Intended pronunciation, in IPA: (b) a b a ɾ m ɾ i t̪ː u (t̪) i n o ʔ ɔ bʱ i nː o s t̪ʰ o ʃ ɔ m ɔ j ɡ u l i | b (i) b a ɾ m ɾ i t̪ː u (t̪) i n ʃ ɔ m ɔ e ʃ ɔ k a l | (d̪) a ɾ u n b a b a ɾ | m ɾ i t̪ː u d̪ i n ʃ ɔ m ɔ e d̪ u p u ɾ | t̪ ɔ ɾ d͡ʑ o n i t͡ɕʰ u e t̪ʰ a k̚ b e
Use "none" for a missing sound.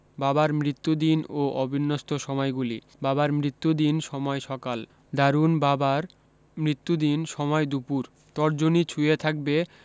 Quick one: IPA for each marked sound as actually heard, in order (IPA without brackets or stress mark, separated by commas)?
b, d̪, a, d̪, d̪